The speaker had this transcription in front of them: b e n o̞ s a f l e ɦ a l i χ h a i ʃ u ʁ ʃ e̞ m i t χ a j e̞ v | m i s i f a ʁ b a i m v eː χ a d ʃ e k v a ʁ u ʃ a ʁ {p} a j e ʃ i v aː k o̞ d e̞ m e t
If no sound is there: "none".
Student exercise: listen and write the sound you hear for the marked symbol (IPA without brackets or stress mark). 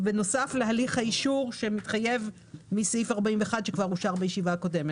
b